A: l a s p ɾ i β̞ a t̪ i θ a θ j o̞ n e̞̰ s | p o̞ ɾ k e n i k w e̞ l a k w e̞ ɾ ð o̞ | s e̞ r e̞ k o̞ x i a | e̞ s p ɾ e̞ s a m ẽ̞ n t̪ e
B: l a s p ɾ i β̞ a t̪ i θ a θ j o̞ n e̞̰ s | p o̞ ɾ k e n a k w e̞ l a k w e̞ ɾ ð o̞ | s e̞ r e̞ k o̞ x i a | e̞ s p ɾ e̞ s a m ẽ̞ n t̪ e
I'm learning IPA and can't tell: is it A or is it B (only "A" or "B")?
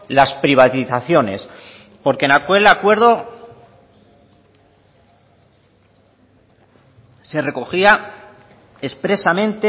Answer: B